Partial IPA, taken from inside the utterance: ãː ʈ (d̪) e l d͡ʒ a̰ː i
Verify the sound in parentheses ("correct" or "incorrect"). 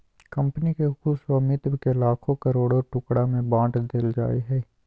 correct